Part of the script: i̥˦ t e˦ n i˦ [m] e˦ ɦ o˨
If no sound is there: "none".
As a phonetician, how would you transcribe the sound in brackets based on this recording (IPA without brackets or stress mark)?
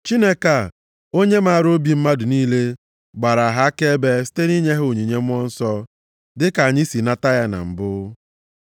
ɲ